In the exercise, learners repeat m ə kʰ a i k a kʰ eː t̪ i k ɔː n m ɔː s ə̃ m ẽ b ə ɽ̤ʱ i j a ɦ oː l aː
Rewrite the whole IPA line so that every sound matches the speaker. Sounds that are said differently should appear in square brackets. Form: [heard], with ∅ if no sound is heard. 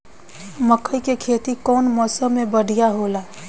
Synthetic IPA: m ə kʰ [ə] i k [e] kʰ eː t̪ i k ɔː n m ɔː s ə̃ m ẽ b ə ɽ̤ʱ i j a ɦ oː l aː